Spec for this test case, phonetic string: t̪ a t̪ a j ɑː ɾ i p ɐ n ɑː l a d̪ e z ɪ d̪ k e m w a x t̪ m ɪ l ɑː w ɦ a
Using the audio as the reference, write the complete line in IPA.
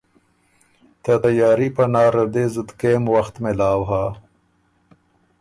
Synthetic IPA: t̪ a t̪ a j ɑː ɾ i p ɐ n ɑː ɾ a d̪ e z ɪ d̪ k e m w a x t̪ m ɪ l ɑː w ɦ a